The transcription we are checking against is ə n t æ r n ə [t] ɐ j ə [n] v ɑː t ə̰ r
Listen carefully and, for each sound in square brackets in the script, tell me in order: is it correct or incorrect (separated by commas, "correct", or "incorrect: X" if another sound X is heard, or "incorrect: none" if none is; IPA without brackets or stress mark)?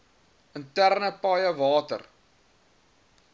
incorrect: p, incorrect: none